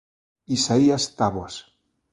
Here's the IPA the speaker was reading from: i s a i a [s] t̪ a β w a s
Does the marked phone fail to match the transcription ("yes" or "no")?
no